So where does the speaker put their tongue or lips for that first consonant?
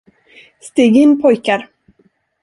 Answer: tongue tip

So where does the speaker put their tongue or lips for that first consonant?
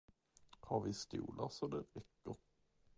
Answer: throat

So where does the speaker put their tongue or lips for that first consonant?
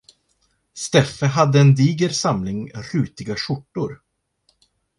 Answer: tongue tip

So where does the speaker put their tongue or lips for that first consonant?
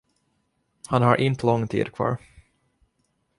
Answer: throat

